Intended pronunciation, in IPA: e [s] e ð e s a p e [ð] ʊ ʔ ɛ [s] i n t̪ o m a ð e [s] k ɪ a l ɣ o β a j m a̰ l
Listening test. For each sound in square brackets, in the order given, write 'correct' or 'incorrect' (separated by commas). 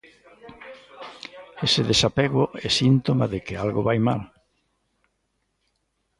correct, incorrect, correct, incorrect